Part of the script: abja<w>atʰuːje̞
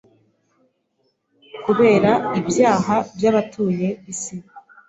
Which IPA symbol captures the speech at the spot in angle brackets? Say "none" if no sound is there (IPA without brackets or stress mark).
β